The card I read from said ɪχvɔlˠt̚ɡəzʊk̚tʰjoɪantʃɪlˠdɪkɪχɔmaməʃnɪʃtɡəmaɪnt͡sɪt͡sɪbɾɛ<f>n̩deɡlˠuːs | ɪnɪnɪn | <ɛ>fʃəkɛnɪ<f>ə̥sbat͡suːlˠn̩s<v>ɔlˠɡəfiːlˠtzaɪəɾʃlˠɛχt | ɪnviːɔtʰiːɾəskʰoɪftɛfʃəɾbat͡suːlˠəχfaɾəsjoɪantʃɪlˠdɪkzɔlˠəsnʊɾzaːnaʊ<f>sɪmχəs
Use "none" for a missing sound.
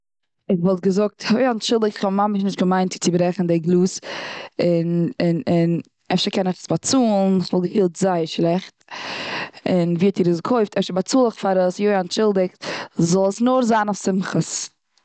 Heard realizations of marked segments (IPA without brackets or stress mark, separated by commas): χ, ɛ, χ, v, f